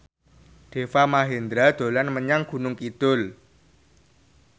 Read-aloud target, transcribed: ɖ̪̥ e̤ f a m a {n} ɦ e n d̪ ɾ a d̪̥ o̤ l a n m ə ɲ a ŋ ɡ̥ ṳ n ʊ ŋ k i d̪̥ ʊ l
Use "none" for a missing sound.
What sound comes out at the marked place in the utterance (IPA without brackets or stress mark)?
none